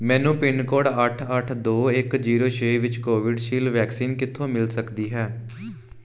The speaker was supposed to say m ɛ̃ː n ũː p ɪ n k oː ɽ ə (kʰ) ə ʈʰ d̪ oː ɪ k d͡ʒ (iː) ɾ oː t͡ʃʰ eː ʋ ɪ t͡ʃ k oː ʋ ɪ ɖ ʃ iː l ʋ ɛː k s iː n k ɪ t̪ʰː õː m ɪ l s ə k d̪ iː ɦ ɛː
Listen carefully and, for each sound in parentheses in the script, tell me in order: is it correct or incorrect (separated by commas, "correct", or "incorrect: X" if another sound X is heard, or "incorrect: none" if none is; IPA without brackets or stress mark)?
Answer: incorrect: ʈʰ, correct